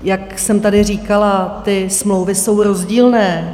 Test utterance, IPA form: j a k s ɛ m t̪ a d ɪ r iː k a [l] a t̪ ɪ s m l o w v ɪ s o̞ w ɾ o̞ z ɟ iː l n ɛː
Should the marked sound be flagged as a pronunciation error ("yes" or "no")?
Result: no